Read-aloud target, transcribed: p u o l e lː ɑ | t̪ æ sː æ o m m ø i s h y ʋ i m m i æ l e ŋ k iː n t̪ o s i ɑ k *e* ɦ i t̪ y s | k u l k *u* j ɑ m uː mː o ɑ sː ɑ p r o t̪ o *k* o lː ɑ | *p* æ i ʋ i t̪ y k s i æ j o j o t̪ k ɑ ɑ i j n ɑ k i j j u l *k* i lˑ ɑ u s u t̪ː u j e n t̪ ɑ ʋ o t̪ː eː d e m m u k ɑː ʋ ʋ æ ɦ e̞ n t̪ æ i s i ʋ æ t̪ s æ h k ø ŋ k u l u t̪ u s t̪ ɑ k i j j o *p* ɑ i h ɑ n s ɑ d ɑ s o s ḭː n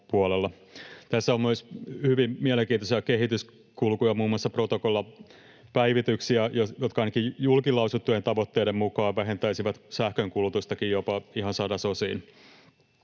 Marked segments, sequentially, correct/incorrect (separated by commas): correct, correct, correct, correct, correct, correct